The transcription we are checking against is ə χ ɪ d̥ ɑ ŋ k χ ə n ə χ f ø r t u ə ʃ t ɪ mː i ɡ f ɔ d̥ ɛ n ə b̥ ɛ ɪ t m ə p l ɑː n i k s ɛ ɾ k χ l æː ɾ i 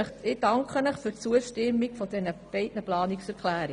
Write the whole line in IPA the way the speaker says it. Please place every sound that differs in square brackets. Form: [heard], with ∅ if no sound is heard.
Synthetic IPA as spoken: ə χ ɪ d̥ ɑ ŋ k χ ə n ə χ f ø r [t͡s] u ə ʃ t ɪ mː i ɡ f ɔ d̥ ɛ n ə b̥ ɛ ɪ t [n] ə p l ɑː n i k s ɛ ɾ k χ l æː ɾ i